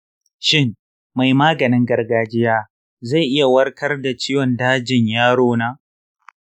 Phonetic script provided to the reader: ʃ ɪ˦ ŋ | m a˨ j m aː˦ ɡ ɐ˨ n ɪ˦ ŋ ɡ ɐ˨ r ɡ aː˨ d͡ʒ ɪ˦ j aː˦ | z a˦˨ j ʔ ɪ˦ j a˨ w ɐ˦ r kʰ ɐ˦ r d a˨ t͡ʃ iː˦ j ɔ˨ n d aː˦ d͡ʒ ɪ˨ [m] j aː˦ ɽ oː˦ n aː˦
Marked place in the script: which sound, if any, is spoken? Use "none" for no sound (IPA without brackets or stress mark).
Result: ɲ